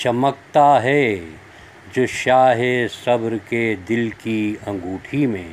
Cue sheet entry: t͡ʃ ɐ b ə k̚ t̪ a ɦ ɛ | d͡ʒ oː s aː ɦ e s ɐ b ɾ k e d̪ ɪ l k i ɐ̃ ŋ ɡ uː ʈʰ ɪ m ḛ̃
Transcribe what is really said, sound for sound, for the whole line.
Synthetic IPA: t͡ʃ ɐ m ə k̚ t̪ a ɦ ɛ | d͡ʒ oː ʃ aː ɦ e s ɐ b ɾ k e d̪ ɪ l k i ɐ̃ ŋ ɡ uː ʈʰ i m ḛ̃